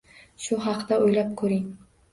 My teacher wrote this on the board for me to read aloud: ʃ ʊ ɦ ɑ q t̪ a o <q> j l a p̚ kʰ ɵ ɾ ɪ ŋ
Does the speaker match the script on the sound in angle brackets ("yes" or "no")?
no